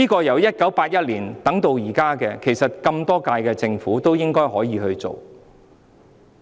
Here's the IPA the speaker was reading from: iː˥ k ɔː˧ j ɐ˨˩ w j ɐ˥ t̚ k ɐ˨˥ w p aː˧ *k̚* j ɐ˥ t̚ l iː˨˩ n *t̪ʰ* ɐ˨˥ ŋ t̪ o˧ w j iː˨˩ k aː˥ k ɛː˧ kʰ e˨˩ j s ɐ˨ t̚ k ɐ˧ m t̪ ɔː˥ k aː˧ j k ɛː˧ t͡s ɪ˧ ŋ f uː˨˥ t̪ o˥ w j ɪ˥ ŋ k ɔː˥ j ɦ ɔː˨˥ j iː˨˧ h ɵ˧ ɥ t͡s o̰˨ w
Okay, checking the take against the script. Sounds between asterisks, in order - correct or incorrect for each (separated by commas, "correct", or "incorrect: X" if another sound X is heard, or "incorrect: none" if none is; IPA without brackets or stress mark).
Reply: incorrect: t̚, incorrect: t̪